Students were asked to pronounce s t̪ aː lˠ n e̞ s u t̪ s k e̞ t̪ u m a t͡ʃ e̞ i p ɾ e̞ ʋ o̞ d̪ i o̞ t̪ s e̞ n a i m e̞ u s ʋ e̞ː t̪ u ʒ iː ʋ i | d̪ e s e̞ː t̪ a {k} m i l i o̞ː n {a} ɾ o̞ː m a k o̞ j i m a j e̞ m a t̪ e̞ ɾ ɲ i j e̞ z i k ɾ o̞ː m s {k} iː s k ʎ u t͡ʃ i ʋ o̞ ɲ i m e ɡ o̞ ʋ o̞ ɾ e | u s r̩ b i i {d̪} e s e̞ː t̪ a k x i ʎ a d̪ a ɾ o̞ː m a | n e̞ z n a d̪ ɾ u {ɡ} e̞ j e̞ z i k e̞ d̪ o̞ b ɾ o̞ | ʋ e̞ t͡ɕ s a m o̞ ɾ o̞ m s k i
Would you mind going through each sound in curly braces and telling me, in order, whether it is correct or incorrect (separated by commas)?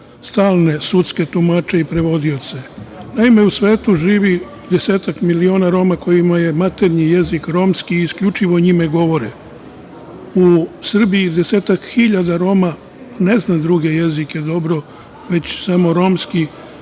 correct, correct, correct, correct, correct